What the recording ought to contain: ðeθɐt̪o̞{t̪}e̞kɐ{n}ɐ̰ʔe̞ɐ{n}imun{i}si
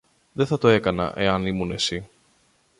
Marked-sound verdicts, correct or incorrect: incorrect: none, correct, correct, incorrect: e

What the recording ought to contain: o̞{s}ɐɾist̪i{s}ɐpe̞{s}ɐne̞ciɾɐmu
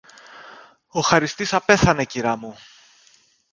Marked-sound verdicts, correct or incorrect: incorrect: x, correct, incorrect: θ

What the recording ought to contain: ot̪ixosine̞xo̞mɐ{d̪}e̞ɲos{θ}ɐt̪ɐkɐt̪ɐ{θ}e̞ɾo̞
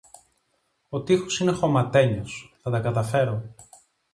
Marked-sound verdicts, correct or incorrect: incorrect: t̪, correct, incorrect: f

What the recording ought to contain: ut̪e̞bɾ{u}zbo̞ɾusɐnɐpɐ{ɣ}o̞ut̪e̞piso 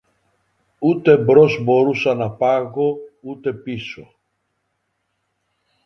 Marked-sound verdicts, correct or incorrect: incorrect: o, correct

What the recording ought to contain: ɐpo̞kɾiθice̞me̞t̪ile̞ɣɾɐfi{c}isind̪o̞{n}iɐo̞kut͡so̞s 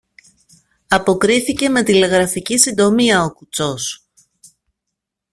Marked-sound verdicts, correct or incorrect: correct, incorrect: m

